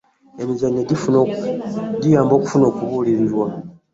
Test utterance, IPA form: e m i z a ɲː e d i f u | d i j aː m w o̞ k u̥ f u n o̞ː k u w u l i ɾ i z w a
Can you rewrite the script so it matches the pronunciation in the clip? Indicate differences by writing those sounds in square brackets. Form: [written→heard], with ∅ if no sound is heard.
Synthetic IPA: e m i z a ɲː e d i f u | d i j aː m [w→b] o̞ k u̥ f u n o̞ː k u [w→β] u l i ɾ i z w a